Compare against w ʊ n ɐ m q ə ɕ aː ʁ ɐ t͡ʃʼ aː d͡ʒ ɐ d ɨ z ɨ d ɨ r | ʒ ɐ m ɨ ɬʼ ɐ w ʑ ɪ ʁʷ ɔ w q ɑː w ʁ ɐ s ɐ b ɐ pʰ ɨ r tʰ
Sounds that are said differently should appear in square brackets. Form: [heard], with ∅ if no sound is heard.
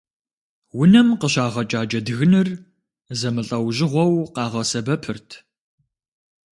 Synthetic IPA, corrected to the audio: w ʊ n ɐ m q ə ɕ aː ʁ ɐ t͡ʃʼ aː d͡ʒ ɐ d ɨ [ɣ] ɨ [n] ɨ r | [z] ɐ m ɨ ɬʼ ɐ w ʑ ɪ ʁʷ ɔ w q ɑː [∅] ʁ ɐ s ɐ b ɐ pʰ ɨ r tʰ

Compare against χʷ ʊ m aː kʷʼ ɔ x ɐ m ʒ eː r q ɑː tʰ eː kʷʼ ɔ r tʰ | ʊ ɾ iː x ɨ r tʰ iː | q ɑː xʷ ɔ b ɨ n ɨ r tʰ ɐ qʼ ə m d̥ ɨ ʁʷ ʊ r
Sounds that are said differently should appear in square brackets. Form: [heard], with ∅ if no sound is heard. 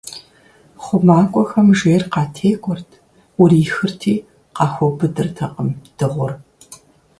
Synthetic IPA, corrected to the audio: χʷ ʊ m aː kʷʼ ɔ x ɐ m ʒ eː r q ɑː tʰ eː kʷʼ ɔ r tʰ | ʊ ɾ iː x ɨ r tʰ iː | q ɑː xʷ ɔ b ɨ [d] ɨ r tʰ ɐ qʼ ə m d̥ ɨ ʁʷ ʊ r

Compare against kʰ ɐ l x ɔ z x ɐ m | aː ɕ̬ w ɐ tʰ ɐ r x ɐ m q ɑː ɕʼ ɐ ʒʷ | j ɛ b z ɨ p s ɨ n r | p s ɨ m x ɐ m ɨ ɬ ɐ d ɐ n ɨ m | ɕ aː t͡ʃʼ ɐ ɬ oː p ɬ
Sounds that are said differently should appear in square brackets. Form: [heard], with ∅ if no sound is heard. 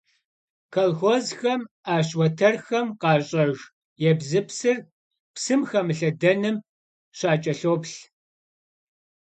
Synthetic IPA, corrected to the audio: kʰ ɐ l x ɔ z x ɐ m | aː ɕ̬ w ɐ tʰ ɐ r x ɐ m q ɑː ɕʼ ɐ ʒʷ | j ɛ b z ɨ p s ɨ [∅] r | p s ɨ m x ɐ m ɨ ɬ ɐ d ɐ n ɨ m | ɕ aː t͡ʃʼ ɐ ɬ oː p ɬ

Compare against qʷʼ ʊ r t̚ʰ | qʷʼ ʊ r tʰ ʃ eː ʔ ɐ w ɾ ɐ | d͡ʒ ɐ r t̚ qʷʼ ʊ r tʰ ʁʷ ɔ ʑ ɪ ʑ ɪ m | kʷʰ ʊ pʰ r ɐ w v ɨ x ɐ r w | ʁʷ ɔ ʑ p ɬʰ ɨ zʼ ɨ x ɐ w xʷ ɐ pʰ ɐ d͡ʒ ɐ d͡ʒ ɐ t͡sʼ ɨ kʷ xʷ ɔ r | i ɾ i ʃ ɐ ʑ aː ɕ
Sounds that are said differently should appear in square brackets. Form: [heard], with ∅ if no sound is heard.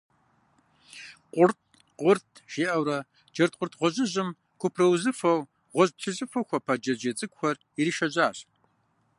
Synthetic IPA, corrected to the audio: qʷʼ ʊ r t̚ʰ | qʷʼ ʊ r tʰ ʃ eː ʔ ɐ w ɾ ɐ | d͡ʒ ɐ r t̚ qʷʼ ʊ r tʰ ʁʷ ɔ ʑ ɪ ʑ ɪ m | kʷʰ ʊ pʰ r ɐ w [z] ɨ [f] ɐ [∅] w | ʁʷ ɔ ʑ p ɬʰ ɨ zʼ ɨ [f] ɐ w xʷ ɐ pʰ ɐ d͡ʒ ɐ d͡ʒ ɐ t͡sʼ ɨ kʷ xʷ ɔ r | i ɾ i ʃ ɐ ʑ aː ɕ

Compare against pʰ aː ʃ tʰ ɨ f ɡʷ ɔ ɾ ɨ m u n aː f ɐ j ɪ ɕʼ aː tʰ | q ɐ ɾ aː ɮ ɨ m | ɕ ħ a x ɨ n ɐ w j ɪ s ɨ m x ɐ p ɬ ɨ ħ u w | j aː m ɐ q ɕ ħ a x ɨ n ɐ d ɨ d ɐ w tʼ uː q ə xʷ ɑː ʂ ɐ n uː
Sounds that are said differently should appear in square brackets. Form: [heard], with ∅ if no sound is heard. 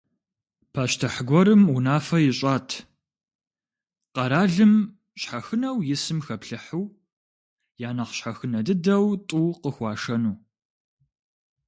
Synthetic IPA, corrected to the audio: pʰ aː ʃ tʰ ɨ [ħ] ɡʷ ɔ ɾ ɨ m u n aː f ɐ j ɪ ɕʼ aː tʰ | q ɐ ɾ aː ɮ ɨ m | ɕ ħ a x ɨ n ɐ w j ɪ s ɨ m x ɐ p ɬ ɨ ħ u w | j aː [n] ɐ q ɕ ħ a x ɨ n ɐ d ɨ d ɐ w tʼ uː q ə xʷ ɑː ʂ ɐ n uː

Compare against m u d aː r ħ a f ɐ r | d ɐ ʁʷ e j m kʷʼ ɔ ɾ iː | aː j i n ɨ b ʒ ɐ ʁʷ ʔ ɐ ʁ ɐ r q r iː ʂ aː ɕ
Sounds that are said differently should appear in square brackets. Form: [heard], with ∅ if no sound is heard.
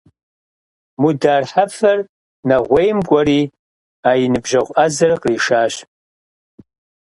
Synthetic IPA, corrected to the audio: m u d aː r ħ a f ɐ r | [n] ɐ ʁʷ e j m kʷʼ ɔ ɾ iː | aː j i n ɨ b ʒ ɐ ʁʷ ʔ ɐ [z] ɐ r q r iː ʂ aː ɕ

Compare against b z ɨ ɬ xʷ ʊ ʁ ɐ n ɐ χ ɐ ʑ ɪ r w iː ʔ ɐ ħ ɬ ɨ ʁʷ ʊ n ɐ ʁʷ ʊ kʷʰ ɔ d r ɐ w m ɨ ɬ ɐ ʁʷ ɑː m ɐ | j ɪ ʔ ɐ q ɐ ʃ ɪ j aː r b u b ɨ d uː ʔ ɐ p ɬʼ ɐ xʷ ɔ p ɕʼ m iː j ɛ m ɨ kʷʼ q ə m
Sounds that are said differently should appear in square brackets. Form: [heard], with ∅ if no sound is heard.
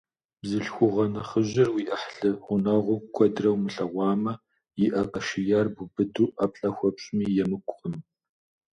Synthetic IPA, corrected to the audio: b z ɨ ɬ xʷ ʊ ʁ ɐ n ɐ χ [ə] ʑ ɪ r w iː ʔ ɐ ħ ɬ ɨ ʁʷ ʊ n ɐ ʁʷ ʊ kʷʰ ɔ d r ɐ w m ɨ ɬ ɐ ʁʷ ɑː m ɐ | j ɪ ʔ ɐ q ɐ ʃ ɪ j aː r b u b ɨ d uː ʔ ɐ p ɬʼ ɐ xʷ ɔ p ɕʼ m iː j ɛ m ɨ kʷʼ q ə m

